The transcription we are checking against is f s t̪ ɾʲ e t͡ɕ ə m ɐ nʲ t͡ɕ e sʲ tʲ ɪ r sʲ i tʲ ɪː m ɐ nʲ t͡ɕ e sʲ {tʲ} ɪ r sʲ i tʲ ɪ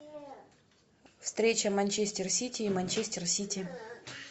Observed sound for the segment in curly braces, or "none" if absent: tʲ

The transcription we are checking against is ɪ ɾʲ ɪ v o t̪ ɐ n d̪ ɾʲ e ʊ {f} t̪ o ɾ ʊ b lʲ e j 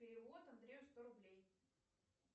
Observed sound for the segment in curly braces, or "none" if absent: s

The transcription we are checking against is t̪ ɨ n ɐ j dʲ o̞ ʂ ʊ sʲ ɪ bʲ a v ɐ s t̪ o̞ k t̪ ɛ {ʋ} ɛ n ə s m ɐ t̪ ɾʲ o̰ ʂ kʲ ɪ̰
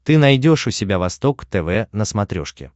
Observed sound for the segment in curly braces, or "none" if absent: v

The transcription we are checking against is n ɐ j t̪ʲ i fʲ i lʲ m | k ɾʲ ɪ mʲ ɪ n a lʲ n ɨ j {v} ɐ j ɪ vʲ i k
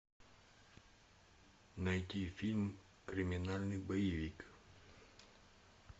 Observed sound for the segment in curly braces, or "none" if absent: b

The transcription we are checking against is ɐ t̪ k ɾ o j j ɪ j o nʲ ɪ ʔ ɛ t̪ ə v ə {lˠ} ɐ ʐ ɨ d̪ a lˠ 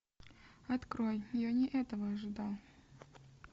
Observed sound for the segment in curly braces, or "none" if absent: none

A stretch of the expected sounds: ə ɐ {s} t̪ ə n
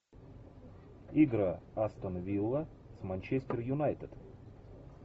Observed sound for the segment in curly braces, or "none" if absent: s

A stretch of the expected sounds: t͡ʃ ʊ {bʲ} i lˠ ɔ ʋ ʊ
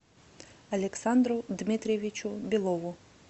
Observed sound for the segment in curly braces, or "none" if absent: bʲ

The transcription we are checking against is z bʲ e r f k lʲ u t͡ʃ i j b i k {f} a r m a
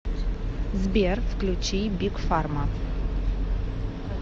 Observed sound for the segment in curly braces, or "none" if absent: f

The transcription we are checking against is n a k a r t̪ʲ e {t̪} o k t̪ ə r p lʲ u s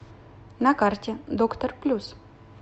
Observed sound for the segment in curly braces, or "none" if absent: d̪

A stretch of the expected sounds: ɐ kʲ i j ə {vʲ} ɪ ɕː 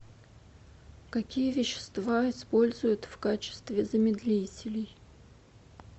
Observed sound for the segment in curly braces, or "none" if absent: vʲ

